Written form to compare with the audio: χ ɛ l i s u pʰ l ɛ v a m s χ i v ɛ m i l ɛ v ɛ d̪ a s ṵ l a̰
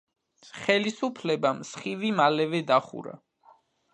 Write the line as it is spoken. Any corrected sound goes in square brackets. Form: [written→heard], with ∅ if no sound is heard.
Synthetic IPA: χ ɛ l i s u pʰ l ɛ [v→b] a m s χ i v [ɛ→i] m [i→a] l ɛ v ɛ d̪ a [s→χ] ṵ [l→ɾ] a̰

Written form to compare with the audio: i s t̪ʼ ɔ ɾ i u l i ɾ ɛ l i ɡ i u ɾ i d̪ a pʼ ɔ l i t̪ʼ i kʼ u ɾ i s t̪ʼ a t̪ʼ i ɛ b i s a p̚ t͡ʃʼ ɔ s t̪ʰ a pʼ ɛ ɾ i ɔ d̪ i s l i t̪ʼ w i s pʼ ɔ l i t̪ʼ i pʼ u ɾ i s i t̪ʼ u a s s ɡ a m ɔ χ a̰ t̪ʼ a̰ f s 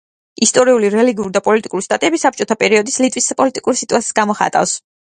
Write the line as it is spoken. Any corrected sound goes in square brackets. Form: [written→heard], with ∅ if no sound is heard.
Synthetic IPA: i s t̪ʼ ɔ ɾ i u l i ɾ ɛ l i ɡ i u ɾ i d̪ a pʼ ɔ l i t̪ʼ i kʼ u ɾ i s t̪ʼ a t̪ʼ i ɛ b i s a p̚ t͡ʃʼ ɔ [s→∅] t̪ʰ a pʼ ɛ ɾ i ɔ d̪ i s l i t̪ʼ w i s pʼ ɔ l i t̪ʼ i [pʼ→kʼ] u ɾ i s i t̪ʼ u a s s ɡ a m ɔ χ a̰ t̪ʼ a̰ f s

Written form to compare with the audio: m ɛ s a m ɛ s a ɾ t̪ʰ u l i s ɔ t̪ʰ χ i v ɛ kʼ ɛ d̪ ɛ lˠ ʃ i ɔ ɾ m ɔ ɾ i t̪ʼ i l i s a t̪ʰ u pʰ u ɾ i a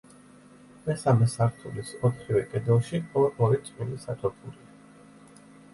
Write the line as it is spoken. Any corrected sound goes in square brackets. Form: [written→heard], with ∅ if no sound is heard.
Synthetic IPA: m ɛ s a m ɛ s a ɾ t̪ʰ u l i s ɔ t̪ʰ χ i v ɛ kʼ ɛ d̪ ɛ lˠ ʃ i ɔ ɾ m ɔ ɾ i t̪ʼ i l i s a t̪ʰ [u→ɔ] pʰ u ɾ i a

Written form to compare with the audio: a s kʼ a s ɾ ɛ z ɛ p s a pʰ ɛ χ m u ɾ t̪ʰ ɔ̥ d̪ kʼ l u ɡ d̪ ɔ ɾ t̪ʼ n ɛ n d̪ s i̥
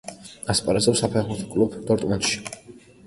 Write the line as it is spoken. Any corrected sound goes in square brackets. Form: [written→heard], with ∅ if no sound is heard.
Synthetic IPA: a s [kʼ→pʼ] a [s→∅] ɾ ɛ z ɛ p s a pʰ ɛ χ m u ɾ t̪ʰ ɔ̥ [d̪→∅] kʼ l u [ɡ→b] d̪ ɔ ɾ t̪ʼ [n→m] ɛ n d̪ [s→ʃ] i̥

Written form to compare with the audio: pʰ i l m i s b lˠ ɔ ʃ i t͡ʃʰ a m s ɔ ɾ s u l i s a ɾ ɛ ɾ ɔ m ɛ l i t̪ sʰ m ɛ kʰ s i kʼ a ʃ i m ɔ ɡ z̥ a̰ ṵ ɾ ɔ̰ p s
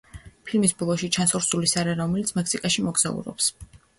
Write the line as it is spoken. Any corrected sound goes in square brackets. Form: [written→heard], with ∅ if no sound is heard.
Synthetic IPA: pʰ i l m i s b lˠ ɔ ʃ i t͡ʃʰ a [m→n] s ɔ ɾ s u l i s a ɾ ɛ ɾ ɔ m ɛ l i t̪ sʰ m ɛ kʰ s i kʼ a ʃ i m ɔ ɡ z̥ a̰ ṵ ɾ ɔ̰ p s

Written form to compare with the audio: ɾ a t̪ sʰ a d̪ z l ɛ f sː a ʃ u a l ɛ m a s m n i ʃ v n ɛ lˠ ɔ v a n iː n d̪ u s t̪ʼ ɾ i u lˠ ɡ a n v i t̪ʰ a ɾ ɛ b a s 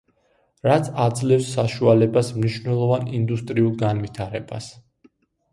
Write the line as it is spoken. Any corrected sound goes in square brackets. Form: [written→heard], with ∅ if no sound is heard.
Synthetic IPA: ɾ a t̪ sʰ a d̪ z l ɛ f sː a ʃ u a l ɛ [m→b] a s m n i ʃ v n ɛ lˠ ɔ v a n [iː→i] n d̪ u s t̪ʼ ɾ i u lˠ ɡ a n v i t̪ʰ a ɾ ɛ b a s

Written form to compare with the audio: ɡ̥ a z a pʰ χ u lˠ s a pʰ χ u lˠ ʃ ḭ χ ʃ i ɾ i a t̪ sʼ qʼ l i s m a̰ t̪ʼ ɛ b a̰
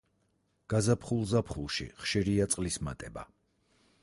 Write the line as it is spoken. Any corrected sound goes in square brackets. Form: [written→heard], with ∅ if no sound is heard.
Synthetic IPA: ɡ̥ a z a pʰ χ u lˠ [s→z] a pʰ χ u lˠ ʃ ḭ χ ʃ i ɾ i a t̪ sʼ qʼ l i s m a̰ t̪ʼ ɛ b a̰

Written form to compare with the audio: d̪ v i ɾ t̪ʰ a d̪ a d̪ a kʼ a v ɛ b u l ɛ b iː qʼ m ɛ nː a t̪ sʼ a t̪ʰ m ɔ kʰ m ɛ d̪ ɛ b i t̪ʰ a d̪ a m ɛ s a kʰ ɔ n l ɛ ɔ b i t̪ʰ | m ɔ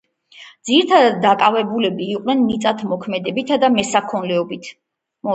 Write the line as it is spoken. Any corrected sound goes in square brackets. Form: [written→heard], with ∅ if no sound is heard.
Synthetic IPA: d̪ [v→z] i ɾ t̪ʰ a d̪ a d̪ a kʼ a v ɛ b u l ɛ b iː qʼ [m→n] ɛ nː [a→i] t̪ sʼ a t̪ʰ m ɔ kʰ m ɛ d̪ ɛ b i t̪ʰ a d̪ a m ɛ s a kʰ ɔ n l ɛ ɔ b i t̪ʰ | m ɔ

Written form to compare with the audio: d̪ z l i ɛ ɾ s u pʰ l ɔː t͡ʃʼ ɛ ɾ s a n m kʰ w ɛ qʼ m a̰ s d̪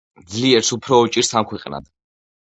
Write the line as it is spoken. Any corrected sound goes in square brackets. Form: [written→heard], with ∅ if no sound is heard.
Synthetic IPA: d̪ z l i ɛ ɾ s u pʰ [l→ɾ] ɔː t͡ʃʼ [ɛ→i] ɾ s a [n→∅] m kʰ w ɛ qʼ [m→n] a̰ [s→∅] d̪

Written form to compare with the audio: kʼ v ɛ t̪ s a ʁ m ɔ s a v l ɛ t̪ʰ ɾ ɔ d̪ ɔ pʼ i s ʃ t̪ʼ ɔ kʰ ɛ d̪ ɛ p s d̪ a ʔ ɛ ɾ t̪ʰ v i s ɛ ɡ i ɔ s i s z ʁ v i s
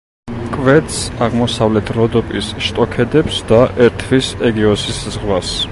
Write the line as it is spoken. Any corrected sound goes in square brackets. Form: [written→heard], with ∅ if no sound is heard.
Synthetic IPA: kʼ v ɛ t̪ s a ʁ m ɔ s a v l ɛ t̪ʰ ɾ ɔ d̪ ɔ pʼ i s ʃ t̪ʼ ɔ kʰ ɛ d̪ ɛ p s d̪ a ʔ ɛ ɾ t̪ʰ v i s ɛ ɡ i ɔ s i s z ʁ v [i→a] s

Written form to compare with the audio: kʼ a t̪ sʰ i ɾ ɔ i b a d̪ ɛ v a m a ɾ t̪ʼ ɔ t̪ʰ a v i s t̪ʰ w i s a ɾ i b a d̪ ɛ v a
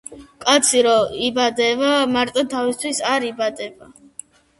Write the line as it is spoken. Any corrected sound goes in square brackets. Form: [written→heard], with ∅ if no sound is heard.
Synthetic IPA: kʼ a t̪ sʰ i ɾ ɔ i b a d̪ ɛ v a m a ɾ t̪ʼ ɔ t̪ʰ a v i s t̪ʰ w i s a ɾ i b a d̪ ɛ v a

